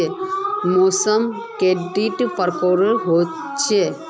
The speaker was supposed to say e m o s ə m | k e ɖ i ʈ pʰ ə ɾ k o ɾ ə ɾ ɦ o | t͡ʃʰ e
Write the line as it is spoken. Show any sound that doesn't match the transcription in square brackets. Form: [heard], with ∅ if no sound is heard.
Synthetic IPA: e m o s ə m | k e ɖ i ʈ [p] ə ɾ k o ɾ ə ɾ ɦ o | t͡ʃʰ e